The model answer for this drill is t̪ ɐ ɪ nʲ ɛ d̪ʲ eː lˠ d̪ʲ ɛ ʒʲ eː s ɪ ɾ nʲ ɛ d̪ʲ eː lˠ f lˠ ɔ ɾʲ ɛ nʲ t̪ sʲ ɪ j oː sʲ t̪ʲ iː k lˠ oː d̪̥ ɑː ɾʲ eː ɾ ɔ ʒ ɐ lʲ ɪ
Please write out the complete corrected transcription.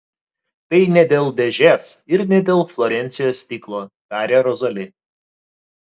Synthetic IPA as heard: t̪ ɐ ɪ nʲ ɛ d̪ʲ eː lˠ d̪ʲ ɛ ʒʲ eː s ɪ ɾ nʲ ɛ d̪ʲ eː lˠ f lˠ ɔ ɾʲ ɛ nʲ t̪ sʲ ɪ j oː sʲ t̪ʲ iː k lˠ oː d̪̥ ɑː ɾʲ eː ɾ ɔ z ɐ lʲ ɪ